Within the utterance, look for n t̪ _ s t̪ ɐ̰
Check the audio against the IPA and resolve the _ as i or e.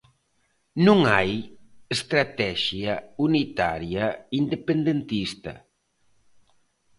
i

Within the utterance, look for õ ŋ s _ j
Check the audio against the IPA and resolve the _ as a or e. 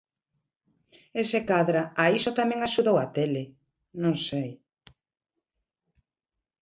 e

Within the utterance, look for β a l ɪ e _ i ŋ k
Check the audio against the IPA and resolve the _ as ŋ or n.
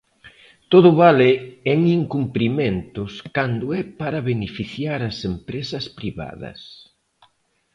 ŋ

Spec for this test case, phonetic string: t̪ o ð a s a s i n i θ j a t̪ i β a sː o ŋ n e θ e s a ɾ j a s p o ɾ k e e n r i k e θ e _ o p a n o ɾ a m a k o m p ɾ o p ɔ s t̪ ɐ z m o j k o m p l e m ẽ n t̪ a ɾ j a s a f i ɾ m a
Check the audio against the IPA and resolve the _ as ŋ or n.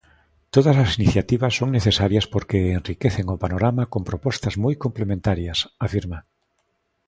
ŋ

